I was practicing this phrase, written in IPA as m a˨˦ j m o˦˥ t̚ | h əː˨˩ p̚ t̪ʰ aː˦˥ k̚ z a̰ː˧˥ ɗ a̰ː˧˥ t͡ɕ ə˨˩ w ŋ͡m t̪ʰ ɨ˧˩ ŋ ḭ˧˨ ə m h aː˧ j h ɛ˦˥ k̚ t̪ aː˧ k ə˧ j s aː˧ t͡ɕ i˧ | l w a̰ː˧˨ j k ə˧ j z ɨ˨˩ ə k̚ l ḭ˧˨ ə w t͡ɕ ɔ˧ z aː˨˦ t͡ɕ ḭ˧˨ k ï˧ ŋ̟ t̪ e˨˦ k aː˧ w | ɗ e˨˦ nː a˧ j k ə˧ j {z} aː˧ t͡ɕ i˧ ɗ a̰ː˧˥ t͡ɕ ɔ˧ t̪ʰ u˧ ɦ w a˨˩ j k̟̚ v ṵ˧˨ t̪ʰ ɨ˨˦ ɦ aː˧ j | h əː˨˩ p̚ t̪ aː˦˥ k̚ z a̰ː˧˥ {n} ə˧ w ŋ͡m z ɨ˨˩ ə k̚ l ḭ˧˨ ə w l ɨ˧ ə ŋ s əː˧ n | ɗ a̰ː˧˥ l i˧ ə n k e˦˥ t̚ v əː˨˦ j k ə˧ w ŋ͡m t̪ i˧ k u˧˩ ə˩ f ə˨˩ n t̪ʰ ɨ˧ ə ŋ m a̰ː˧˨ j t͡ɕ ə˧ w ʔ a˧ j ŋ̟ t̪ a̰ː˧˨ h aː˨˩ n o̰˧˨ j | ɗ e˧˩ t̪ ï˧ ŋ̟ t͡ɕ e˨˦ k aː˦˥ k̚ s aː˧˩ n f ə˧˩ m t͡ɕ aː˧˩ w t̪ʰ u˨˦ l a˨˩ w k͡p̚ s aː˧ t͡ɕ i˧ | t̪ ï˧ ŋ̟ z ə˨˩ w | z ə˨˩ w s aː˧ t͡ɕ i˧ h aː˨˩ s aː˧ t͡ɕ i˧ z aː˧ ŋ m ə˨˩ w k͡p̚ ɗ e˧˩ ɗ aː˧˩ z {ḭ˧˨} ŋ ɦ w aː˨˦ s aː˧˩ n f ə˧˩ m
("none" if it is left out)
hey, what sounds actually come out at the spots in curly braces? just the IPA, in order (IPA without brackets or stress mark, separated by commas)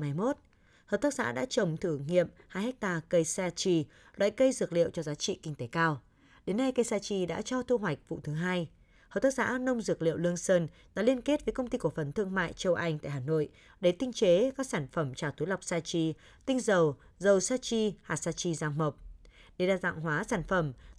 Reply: s, n, a̰˧˨